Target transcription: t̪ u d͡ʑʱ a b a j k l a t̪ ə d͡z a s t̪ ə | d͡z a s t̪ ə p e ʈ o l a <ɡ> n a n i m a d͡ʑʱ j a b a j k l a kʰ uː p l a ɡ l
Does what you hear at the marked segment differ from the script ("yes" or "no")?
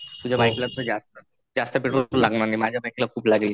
no